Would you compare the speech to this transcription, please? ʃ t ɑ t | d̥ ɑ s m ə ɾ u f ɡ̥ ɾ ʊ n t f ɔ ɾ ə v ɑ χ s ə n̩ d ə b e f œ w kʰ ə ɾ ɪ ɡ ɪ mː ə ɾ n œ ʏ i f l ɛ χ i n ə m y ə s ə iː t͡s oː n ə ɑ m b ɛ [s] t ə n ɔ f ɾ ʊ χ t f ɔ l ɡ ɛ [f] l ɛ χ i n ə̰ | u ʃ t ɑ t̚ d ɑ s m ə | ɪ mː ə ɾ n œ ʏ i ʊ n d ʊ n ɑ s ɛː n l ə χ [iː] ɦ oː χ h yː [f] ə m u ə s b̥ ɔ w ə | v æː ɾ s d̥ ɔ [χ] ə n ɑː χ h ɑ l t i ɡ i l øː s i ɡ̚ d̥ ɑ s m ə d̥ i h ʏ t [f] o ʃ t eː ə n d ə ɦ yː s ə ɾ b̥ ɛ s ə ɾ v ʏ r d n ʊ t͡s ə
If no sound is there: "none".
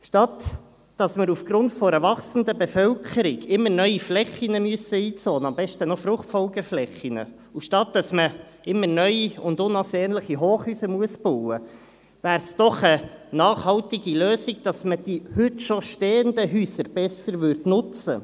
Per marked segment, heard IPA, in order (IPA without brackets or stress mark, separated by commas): ʃ, f, i, s, χ, ʃ